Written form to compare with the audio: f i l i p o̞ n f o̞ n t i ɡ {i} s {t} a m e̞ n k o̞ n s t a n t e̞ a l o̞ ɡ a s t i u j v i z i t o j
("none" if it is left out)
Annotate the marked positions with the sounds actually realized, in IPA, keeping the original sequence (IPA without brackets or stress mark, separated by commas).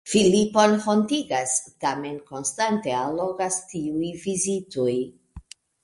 a, t